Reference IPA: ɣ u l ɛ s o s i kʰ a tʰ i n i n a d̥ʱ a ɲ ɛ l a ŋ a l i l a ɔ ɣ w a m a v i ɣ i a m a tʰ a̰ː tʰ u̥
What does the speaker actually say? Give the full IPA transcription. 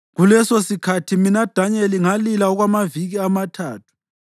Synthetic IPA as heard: ɣ u l ɛ s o s i kʰ a tʰ i m i n a d̥ʱ a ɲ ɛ l i ŋ a l i l a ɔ ɣ w a m a v i ɣ i a m a tʰ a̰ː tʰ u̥